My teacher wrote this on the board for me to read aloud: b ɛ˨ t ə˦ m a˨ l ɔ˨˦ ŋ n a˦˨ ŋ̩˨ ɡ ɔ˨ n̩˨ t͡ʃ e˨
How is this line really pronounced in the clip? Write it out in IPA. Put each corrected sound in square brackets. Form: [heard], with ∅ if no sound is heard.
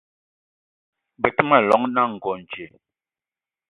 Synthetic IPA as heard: b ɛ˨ t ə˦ m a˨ l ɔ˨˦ ŋ n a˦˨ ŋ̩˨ ɡ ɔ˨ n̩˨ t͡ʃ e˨